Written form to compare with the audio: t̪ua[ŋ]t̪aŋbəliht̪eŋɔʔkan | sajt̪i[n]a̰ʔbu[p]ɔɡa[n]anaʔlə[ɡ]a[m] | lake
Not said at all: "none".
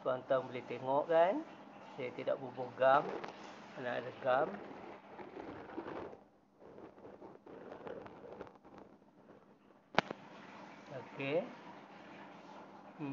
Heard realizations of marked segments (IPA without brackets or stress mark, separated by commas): n, d, b, m, ɡ, m